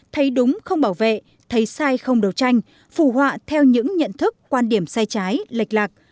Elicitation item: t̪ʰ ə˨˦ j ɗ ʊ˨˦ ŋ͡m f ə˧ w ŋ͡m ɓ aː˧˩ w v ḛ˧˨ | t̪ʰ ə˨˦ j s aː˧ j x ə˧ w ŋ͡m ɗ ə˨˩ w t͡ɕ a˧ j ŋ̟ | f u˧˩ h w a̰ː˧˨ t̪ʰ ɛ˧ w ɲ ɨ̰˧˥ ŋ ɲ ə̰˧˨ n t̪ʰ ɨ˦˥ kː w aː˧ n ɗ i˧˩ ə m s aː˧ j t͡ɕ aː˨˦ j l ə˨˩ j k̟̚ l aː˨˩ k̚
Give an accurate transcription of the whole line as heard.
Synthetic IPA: t̪ʰ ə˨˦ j ɗ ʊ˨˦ ŋ͡m x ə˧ w ŋ͡m ɓ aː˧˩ w v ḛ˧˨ | t̪ʰ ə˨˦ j s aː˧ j x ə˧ w ŋ͡m ɗ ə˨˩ w t͡ɕ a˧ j ŋ̟ | f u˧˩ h w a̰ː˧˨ t̪ʰ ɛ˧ w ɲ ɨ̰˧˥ ŋ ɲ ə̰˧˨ n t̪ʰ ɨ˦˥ kː w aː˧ n ɗ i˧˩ ə m s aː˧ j t͡ɕ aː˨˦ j l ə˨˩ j k̟̚ l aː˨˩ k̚

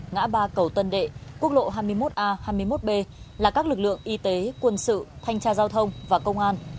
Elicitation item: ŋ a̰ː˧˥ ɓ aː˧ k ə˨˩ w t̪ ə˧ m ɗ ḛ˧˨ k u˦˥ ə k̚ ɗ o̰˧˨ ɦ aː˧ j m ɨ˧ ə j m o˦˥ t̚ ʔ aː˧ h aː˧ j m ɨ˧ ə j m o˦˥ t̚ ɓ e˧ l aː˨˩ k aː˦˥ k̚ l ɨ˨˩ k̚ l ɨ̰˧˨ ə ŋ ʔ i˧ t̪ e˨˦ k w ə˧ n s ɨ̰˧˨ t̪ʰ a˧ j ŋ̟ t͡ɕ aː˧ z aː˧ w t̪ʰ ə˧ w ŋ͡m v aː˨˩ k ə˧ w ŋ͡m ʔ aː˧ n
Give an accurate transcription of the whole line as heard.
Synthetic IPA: ŋ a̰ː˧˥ ɓ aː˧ k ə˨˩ w t̪ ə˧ n ɗ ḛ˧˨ k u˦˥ ə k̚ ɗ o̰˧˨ ɦ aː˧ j m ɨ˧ ə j m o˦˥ t̚ ʔ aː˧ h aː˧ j m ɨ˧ ə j m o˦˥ t̚ ɓ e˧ l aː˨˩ k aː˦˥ k̚ l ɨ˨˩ k̚ l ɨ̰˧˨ ə ŋ ʔ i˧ t̪ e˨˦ k w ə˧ n s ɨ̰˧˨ t̪ʰ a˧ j ŋ̟ t͡ɕ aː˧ z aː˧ w t̪ʰ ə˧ w ŋ͡m v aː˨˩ k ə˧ w ŋ͡m ʔ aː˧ n

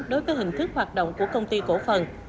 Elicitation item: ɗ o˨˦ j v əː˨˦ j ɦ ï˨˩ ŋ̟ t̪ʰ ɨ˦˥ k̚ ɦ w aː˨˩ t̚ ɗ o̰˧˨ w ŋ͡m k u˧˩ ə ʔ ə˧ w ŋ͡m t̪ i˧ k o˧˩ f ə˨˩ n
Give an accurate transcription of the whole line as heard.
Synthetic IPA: ɗ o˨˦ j v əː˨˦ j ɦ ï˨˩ ŋ̟ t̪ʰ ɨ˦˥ k̚ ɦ w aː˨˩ t̚ ɗ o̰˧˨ w ŋ͡m k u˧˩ ə k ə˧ w ŋ͡m t̪ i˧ k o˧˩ f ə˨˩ n

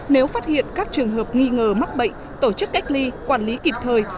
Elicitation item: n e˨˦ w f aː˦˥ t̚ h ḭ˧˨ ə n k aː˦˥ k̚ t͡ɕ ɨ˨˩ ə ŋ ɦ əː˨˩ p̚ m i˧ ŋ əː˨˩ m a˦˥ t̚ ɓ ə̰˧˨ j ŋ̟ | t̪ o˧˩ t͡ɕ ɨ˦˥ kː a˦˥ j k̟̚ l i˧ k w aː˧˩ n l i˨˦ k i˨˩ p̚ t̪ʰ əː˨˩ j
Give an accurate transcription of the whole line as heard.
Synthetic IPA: n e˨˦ w f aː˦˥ t̚ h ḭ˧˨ ə n k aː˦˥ k̚ t͡ɕ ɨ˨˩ ə ŋ ɦ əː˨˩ p̚ ŋ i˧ ŋ əː˨˩ m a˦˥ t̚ ɓ ə̰˧˨ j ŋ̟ | t̪ o˧˩ t͡ɕ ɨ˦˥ kː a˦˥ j k̟̚ l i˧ k w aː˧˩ n l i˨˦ k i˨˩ p̚ t̪ʰ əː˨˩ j

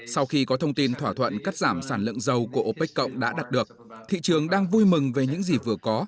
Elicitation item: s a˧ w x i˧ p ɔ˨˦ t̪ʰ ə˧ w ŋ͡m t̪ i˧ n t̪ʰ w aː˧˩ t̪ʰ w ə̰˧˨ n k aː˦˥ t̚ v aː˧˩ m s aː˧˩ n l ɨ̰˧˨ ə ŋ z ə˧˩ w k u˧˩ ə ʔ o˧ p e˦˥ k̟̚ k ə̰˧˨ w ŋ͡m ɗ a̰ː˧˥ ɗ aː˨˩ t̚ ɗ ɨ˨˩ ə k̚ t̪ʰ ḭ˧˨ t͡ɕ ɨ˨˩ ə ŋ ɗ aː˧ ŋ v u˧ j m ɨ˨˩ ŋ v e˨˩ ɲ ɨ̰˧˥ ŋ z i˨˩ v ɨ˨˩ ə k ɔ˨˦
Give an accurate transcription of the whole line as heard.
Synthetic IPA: s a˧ w x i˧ k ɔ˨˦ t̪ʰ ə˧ w ŋ͡m t̪ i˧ n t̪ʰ w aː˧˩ t̪ʰ w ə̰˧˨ n k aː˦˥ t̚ z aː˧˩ m s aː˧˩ n l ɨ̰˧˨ ə ŋ z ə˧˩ w k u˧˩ ə ʔ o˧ p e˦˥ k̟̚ k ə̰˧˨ w ŋ͡m ɗ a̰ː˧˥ ɗ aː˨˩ t̚ ɗ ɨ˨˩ ə k̚ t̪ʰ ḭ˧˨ t͡ɕ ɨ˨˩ ə ŋ ɗ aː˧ ŋ v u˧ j m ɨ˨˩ ŋ v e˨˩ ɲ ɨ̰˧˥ ŋ z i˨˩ v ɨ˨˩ ə k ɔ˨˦

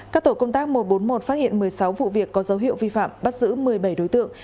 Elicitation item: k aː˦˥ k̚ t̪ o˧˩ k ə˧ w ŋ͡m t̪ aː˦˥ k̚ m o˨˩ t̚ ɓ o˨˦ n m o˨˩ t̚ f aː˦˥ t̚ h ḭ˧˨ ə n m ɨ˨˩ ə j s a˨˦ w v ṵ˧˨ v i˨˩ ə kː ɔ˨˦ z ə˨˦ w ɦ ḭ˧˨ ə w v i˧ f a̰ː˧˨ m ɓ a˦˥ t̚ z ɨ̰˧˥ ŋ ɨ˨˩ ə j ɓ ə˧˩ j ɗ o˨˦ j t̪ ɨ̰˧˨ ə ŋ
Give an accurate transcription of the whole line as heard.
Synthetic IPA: k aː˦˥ k̚ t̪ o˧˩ k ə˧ w ŋ͡m t̪ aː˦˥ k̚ m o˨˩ t̚ ɓ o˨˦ n m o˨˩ t̚ f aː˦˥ t̚ h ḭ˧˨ ə n m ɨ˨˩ ə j s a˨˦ w v ṵ˧˨ v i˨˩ ə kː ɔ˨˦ z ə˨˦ w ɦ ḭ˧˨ ə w v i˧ f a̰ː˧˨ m ɓ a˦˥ t̚ z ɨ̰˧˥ m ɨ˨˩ ə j ɓ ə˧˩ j ɗ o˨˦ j t̪ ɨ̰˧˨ ə ŋ

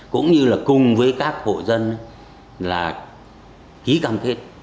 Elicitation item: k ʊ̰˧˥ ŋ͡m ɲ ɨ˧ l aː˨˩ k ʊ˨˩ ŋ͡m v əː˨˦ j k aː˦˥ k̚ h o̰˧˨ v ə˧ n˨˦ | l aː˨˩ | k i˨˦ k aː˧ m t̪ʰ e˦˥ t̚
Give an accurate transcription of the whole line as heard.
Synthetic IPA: k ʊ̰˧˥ ŋ͡m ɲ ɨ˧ l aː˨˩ k ʊ˨˩ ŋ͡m v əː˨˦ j k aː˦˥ k̚ h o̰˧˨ z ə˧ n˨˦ | l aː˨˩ | k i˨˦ k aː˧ m t̪ʰ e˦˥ t̚

